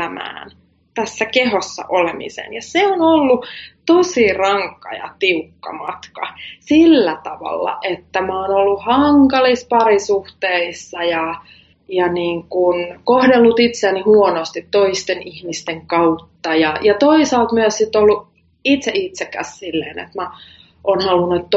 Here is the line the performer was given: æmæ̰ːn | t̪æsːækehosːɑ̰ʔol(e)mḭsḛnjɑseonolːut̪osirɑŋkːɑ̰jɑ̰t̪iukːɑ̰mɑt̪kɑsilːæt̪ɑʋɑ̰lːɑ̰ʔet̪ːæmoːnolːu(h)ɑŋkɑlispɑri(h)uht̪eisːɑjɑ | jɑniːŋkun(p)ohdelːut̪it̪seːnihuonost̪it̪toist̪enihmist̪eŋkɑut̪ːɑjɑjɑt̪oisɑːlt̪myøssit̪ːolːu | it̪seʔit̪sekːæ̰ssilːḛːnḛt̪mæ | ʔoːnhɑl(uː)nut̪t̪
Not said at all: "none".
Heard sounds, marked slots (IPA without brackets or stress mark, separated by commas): e, h, s, k, u